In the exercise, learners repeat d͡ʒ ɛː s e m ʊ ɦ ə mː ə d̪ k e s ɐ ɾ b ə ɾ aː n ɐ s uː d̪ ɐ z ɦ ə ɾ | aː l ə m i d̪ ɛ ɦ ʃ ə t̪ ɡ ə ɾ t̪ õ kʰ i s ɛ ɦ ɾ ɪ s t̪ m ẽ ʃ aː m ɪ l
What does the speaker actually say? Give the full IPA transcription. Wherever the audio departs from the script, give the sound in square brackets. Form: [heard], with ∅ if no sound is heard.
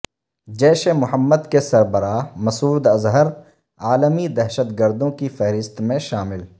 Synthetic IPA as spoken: d͡ʒ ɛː [ʃ] e m ʊ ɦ ə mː ə d̪ k e s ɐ ɾ b ə ɾ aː [m] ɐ s uː d̪ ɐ z ɦ ə ɾ | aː l ə m i d̪ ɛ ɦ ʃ ə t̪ ɡ ə ɾ [d̪] õ [k] i [f] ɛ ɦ ɾ ɪ s t̪ m ẽ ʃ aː m ɪ l